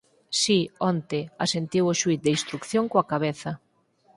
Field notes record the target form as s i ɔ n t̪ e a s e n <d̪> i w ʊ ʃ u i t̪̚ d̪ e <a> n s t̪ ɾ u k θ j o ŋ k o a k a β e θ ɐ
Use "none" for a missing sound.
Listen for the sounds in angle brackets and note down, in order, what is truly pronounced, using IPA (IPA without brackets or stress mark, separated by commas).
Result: t̪, i